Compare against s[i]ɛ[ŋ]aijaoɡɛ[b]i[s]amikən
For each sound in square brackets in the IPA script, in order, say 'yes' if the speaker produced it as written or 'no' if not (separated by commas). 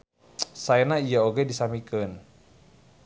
no, no, no, yes